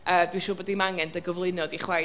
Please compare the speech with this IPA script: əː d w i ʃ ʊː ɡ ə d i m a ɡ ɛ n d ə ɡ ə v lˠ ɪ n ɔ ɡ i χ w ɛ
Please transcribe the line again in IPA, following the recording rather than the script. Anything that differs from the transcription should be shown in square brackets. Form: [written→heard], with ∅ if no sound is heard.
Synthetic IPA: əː d w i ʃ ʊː [ɡ→b] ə d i m a [ɡ→ŋ] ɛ n d ə ɡ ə v lˠ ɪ n ɔ [ɡ→d] i χ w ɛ